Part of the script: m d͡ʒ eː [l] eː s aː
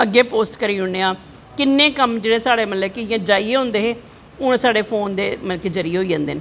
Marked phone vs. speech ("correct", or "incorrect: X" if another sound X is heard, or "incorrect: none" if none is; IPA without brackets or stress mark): incorrect: ɽ